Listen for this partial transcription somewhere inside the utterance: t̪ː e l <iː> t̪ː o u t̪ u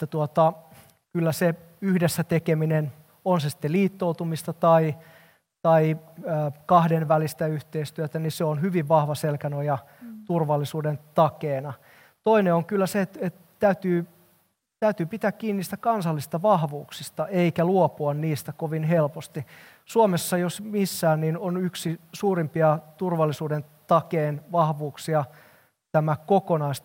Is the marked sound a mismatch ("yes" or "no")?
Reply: no